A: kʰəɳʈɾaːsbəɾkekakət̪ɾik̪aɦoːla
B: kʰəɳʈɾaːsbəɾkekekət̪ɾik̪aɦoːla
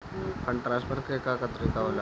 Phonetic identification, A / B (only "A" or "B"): A